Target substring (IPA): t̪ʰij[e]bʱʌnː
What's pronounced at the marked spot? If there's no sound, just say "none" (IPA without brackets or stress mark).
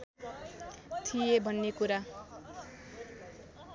e